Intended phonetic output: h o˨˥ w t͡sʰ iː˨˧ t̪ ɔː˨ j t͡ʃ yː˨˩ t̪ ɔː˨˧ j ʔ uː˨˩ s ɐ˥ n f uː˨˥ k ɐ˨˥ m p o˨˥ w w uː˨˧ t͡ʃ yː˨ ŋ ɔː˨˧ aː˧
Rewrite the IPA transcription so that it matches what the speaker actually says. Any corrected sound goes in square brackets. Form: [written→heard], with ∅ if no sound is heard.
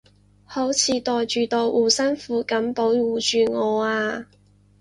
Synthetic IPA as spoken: h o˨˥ w t͡sʰ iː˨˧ t̪ ɔː˨ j t͡ʃ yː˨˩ t̪ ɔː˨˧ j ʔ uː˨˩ s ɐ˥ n f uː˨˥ k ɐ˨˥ m p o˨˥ w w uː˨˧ t͡ʃ yː˨ ŋ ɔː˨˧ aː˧